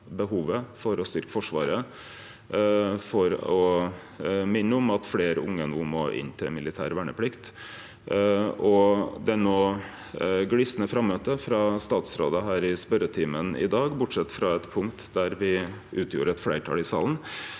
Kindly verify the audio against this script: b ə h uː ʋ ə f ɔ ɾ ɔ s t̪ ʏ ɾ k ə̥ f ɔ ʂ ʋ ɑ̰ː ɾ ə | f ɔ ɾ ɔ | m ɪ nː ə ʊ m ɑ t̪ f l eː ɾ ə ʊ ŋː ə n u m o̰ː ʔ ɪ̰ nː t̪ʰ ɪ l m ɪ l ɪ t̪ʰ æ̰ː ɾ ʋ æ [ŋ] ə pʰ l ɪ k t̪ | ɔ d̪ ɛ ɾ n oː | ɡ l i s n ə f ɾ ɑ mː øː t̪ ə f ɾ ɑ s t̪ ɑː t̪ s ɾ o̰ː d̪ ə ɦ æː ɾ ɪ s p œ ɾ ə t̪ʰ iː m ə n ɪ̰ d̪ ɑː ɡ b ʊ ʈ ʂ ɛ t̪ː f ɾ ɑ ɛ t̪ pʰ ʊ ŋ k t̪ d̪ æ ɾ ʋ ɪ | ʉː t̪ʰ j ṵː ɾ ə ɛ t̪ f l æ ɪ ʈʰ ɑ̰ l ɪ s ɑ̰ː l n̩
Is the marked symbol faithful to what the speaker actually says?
no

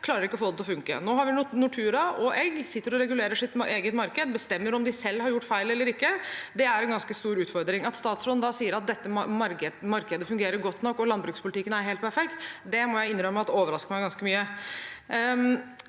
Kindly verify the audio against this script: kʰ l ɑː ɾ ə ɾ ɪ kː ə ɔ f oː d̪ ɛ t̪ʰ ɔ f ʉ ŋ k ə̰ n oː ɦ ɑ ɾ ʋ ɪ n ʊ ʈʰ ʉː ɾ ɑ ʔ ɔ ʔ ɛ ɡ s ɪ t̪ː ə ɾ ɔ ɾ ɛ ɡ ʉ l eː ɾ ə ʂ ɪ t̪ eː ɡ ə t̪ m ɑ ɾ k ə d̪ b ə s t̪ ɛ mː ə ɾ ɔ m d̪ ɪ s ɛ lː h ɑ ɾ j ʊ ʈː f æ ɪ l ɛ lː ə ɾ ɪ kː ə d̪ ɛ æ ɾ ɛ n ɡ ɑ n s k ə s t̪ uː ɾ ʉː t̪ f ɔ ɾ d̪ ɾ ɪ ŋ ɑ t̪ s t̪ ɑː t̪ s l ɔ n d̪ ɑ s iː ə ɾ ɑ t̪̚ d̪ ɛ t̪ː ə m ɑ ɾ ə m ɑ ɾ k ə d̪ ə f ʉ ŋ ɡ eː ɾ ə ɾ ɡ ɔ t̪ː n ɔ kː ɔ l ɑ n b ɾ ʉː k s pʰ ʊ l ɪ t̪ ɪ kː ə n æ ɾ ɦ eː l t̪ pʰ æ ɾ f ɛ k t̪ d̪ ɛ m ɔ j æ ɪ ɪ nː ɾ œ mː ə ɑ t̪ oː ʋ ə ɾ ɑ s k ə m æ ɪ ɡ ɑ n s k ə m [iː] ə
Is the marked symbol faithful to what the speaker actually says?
no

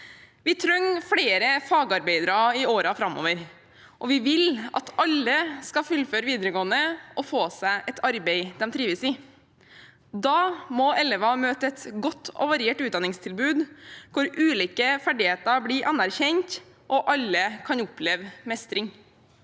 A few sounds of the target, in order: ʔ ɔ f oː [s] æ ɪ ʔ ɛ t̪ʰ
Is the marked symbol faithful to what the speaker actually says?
yes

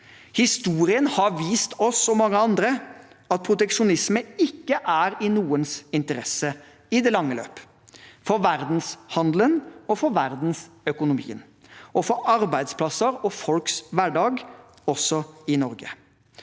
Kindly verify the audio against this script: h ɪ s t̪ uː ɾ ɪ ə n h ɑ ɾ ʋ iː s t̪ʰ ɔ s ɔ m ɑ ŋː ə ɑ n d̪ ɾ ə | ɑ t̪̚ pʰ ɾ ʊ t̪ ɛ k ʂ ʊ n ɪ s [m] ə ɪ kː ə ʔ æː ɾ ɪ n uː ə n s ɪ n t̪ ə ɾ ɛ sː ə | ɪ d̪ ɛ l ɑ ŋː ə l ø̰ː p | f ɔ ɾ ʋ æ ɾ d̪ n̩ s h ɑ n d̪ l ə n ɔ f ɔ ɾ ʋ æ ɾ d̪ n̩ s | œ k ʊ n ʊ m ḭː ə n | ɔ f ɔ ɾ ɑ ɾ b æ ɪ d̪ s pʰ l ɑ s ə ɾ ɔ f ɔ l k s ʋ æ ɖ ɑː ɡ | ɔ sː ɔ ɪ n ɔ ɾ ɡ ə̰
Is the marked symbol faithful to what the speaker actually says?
yes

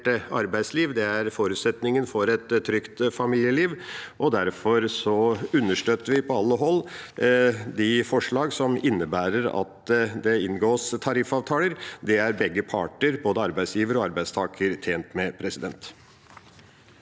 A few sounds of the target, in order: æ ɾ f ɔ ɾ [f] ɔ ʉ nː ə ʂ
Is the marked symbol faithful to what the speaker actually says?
no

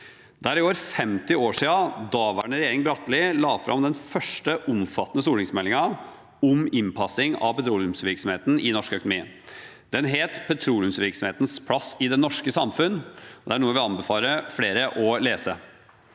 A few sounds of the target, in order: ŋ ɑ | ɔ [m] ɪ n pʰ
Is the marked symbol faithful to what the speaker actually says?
yes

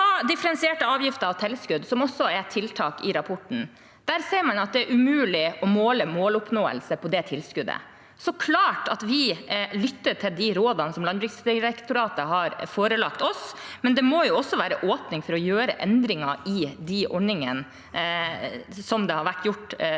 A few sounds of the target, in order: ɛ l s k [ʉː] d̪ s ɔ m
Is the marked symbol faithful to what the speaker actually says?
no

